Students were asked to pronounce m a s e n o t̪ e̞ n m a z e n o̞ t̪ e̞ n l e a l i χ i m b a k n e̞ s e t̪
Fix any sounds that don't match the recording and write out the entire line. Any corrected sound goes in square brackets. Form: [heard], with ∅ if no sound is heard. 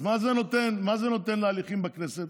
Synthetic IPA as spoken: m a [z] e n o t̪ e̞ n m a z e n o̞ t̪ e̞ n l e a l i χ i m b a k n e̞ s e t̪